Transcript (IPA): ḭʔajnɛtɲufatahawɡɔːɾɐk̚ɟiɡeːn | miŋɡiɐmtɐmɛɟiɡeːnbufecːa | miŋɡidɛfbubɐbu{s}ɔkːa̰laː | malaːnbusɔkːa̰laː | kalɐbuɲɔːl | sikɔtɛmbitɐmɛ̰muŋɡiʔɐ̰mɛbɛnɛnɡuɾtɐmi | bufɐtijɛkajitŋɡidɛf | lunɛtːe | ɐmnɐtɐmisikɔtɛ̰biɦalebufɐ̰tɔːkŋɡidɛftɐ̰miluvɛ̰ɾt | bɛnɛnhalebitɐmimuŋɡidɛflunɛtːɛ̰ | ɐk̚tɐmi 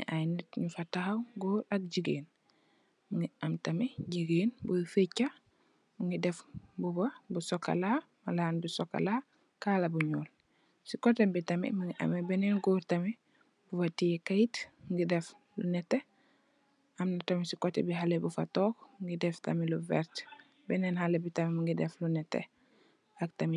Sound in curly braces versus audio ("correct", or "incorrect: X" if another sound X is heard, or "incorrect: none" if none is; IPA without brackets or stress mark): correct